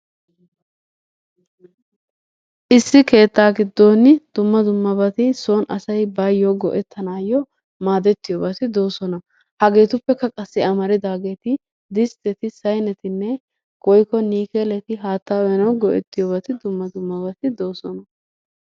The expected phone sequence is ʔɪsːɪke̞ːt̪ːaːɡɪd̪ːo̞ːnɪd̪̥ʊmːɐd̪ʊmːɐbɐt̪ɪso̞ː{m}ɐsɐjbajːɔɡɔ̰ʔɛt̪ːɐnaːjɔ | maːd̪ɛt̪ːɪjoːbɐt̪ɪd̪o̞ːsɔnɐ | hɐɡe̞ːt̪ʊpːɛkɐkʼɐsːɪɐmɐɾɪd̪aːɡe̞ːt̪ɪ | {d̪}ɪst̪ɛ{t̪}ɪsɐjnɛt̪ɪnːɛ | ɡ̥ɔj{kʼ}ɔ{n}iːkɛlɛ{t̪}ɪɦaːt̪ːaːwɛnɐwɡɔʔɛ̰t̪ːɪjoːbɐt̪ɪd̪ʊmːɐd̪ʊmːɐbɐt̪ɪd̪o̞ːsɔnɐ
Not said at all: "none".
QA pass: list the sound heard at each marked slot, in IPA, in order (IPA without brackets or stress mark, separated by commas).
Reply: n, d̪, t̪, k, n, t̪